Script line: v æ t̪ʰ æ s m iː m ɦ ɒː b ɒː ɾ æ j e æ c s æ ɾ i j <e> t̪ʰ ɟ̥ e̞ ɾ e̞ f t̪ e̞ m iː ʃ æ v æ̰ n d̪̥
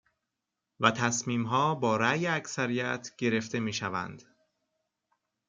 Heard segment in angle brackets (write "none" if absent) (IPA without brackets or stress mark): æ